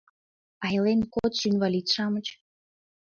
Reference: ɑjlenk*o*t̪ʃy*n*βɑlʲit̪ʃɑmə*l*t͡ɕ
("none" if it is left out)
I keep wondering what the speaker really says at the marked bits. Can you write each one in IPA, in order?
o, n, none

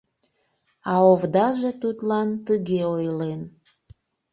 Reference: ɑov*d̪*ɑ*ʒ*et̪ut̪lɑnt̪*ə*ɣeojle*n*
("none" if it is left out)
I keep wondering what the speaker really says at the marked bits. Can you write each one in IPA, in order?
d̪, ʒ, ə, n

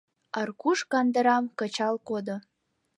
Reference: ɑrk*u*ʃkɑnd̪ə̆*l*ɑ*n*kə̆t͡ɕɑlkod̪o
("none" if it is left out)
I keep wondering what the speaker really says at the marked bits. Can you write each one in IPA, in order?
u, ɾ, m

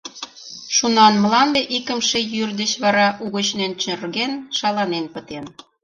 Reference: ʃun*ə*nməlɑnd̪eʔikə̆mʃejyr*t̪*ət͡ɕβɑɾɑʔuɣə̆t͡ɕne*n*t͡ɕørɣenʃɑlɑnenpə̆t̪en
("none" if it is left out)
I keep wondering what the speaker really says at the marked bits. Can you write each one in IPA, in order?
ɑ, d̪, n

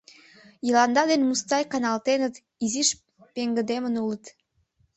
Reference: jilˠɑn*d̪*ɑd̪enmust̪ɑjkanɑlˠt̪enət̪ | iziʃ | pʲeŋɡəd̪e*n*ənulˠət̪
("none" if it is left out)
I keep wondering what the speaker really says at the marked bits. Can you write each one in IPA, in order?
d̪, m

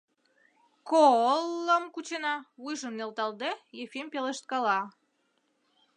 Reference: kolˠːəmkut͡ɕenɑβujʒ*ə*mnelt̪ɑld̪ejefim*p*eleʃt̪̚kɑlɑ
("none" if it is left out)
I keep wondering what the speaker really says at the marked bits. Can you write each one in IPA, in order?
ə, p

